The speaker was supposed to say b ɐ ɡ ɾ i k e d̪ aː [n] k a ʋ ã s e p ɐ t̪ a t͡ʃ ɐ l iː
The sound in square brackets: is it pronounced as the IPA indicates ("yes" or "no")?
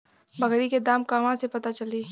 no